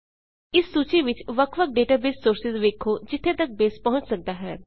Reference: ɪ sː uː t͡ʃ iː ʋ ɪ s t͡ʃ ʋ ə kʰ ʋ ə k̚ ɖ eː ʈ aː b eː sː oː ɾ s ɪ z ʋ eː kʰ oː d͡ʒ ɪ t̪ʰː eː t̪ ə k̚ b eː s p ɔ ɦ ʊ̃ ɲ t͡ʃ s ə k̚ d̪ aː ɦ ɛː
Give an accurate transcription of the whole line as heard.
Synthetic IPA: ɪ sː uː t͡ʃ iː ʋ ɪ t͡ʃ ʋ ə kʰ ʋ ə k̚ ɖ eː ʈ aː b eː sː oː ɾ s ɪ z ʋ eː kʰ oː d͡ʒ ɪ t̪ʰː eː t̪ ə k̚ b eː s p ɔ ɦ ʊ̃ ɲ t͡ʃ s ə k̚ d̪ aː ɦ ɛː